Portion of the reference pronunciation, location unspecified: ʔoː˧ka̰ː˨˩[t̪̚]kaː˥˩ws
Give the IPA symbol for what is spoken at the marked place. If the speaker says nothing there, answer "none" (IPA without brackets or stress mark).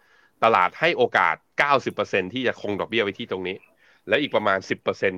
t̪̚